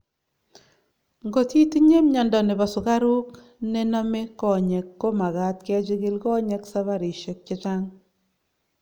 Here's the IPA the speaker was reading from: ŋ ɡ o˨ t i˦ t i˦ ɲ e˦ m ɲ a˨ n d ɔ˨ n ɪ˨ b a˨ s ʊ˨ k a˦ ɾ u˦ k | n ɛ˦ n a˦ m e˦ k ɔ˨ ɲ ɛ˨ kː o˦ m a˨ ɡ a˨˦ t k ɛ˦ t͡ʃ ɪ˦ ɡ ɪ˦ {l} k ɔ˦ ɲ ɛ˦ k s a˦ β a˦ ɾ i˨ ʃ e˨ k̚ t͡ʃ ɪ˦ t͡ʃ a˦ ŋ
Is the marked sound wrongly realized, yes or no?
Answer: no